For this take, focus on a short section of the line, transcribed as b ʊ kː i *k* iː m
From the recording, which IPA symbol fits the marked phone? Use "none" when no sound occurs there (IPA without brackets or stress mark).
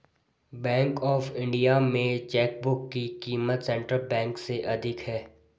k